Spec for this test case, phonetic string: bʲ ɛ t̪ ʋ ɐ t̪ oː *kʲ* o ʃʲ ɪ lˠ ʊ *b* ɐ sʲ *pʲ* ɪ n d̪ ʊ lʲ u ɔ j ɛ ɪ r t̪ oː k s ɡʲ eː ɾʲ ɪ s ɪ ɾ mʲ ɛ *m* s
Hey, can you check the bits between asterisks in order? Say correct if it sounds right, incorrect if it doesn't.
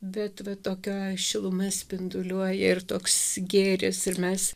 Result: correct, incorrect: m, correct, incorrect: none

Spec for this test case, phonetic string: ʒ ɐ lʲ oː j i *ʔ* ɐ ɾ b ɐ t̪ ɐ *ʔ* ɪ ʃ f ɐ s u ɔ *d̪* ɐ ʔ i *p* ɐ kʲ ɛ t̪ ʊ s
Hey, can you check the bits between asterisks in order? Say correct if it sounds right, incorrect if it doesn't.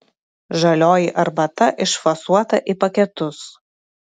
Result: correct, correct, incorrect: t̪, correct

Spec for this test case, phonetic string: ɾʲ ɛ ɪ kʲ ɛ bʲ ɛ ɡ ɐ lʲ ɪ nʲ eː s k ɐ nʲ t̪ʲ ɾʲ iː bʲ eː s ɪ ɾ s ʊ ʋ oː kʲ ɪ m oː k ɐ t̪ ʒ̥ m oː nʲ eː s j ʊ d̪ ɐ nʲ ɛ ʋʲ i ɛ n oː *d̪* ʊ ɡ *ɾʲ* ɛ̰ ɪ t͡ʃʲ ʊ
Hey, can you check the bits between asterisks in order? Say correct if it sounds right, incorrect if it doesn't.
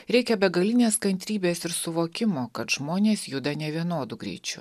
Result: correct, correct

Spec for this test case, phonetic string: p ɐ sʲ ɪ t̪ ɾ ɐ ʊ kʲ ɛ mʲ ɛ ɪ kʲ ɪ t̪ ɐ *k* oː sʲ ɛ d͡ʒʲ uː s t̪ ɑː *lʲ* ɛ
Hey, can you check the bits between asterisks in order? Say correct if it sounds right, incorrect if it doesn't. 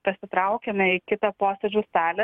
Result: incorrect: p, correct

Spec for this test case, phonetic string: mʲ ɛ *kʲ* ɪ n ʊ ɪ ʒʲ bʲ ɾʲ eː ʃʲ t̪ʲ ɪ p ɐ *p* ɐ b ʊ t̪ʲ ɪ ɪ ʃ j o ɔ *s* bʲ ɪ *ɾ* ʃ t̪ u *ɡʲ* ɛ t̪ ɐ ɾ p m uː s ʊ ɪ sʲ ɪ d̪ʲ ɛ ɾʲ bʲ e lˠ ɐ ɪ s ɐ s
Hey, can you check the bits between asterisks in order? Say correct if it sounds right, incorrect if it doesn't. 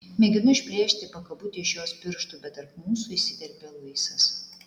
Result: incorrect: ɡʲ, incorrect: k, correct, correct, incorrect: bʲ

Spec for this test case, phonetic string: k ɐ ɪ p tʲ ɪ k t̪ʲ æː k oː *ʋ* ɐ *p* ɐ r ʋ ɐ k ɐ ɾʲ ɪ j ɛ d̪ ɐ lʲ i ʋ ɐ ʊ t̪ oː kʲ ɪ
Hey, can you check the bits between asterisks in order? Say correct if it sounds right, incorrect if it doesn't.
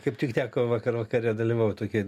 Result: correct, incorrect: k

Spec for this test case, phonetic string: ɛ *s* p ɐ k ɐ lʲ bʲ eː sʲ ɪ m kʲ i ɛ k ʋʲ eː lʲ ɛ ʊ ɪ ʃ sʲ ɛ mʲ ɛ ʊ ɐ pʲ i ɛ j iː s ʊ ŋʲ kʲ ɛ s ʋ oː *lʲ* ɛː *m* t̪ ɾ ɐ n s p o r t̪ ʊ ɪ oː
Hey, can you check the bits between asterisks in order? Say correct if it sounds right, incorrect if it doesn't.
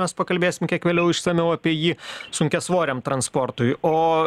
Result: correct, incorrect: ɾʲ, correct

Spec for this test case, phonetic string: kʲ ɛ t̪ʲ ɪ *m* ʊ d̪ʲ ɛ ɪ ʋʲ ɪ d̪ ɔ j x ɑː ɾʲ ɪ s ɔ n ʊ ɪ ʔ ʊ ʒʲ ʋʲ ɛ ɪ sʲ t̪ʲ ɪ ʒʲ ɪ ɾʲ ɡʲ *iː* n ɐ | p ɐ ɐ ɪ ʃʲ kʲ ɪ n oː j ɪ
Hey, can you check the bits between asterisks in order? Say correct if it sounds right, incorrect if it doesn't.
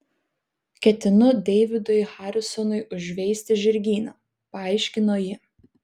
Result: incorrect: n, correct

